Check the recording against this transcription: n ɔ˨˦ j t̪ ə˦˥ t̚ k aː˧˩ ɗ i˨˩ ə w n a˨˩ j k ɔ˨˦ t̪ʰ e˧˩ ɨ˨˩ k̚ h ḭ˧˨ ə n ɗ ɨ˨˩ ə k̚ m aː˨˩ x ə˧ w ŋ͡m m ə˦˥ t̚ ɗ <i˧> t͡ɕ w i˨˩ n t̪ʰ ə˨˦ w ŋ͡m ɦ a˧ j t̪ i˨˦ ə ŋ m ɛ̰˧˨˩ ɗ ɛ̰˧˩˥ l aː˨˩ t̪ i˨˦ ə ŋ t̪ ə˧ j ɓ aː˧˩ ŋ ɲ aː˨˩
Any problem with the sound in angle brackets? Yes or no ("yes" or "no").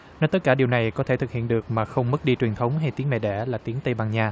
no